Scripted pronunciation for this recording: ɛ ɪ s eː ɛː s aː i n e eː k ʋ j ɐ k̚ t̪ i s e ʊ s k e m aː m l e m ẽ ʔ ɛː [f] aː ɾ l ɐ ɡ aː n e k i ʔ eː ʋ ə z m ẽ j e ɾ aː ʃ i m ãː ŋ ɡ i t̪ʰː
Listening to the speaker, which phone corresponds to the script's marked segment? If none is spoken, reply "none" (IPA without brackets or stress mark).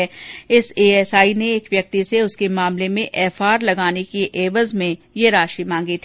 f